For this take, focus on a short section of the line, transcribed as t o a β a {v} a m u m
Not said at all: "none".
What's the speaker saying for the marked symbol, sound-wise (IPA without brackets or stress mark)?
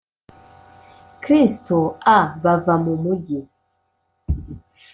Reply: v